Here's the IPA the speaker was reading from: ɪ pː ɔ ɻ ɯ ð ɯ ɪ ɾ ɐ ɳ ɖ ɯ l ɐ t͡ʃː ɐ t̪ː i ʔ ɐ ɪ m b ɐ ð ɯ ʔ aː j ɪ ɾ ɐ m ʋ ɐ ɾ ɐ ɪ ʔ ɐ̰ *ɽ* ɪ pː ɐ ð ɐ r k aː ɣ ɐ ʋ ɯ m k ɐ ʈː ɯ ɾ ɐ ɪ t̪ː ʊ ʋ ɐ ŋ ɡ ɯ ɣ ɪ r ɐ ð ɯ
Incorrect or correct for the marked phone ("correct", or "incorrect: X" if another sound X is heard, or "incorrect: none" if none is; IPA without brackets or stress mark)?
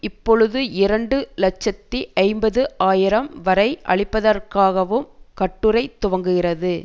incorrect: ɭ